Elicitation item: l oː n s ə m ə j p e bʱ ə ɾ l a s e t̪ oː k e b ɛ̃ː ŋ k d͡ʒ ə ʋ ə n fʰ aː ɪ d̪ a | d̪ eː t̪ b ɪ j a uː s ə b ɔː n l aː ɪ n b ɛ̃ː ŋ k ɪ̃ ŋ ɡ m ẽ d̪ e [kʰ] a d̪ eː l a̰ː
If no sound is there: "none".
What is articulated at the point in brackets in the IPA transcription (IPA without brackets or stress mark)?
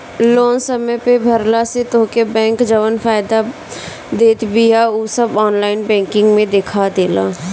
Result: kʰ